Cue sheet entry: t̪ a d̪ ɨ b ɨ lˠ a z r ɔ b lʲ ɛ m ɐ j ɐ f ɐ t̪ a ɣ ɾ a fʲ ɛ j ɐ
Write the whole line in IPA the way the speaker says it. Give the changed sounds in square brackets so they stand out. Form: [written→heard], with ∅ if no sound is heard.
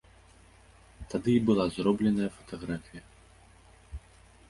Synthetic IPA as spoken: t̪ a d̪ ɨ b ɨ lˠ a z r ɔ b lʲ ɛ [m→n] ɐ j ɐ f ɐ t̪ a ɣ ɾ a fʲ [ɛ→i] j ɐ